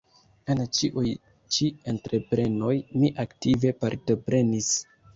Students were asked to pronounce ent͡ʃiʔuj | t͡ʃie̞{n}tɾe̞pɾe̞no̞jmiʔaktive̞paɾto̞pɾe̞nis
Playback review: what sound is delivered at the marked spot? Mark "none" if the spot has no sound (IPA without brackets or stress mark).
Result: n